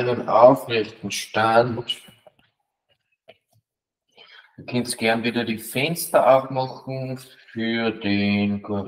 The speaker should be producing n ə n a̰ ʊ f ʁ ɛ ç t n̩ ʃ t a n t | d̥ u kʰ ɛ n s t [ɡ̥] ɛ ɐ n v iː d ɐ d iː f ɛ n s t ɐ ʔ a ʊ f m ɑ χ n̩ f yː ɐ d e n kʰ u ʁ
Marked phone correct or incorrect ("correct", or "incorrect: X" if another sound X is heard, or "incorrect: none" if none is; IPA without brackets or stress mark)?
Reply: correct